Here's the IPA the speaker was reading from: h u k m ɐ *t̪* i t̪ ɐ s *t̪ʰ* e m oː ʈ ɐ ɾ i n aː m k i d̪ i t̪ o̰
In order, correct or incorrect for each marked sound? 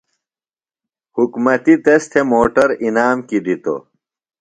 correct, correct

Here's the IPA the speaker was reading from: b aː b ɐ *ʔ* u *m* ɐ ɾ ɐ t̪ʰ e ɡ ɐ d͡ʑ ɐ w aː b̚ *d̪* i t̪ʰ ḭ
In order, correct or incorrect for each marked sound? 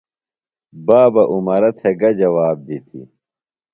correct, correct, correct

